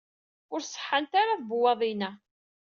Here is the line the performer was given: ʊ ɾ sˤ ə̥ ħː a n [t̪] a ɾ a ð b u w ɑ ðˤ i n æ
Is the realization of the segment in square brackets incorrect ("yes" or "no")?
no